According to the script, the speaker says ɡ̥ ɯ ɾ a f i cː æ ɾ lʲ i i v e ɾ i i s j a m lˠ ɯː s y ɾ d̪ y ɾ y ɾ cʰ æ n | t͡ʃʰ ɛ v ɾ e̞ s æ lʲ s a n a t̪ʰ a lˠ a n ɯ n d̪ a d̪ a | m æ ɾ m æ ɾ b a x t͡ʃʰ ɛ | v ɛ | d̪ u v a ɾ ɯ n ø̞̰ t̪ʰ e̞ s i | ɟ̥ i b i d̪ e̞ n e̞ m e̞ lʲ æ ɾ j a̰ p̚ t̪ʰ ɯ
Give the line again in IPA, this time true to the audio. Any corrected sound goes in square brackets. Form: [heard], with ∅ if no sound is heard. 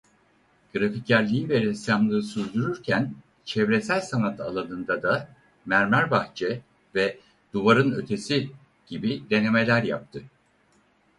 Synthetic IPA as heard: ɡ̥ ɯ ɾ a f i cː æ ɾ lʲ i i v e ɾ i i s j a m lˠ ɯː s y ɾ d̪ y ɾ y ɾ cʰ æ n | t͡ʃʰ ɛ v ɾ e̞ s æ lʲ s a n a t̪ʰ a lˠ a n ɯ n d̪ a d̪ a | m æ ɾ m æ ɾ b a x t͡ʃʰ ɛ | v ɛ | d̪ u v a ɾ ɯ n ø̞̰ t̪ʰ e̞ s i | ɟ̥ i b i d̪ e̞ n e̞ m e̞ lʲ æ ɾ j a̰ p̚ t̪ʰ ɯ